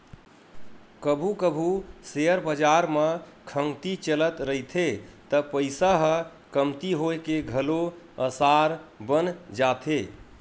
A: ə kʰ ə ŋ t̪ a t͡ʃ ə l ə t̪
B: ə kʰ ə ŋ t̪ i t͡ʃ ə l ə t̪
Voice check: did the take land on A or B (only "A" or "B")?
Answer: B